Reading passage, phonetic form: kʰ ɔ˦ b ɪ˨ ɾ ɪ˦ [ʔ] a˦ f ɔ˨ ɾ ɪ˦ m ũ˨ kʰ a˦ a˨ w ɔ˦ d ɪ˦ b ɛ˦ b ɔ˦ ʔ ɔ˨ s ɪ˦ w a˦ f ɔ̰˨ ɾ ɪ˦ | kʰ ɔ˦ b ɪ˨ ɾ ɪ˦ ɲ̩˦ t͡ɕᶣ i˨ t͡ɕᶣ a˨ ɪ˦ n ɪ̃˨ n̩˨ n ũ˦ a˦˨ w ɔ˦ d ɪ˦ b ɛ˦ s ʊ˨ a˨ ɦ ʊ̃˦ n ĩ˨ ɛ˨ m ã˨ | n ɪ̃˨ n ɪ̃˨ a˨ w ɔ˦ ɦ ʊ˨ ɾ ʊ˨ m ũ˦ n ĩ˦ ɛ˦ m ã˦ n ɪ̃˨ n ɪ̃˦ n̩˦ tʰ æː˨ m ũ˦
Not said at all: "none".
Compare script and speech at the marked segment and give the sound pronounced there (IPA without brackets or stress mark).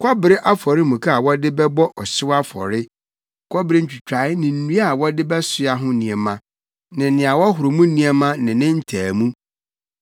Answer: ʔ